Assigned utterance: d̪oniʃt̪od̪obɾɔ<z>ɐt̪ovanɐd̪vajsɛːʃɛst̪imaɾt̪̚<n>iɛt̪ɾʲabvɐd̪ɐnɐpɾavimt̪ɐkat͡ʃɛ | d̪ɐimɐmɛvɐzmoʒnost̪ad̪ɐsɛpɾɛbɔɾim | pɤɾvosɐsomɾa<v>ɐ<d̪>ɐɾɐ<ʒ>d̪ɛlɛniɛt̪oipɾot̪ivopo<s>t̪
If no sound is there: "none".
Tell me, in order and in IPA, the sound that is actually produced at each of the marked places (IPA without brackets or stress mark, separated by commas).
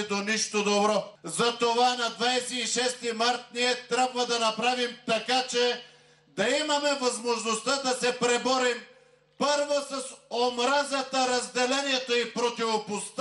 z, n, z, t̪, z, s